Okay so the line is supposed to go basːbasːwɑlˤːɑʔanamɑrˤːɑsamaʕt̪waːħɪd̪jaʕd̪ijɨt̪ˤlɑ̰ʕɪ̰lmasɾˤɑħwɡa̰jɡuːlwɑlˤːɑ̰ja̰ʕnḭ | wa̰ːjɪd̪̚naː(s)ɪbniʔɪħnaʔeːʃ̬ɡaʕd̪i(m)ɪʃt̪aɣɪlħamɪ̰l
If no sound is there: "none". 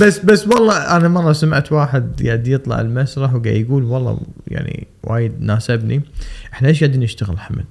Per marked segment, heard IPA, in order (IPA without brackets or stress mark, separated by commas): s, n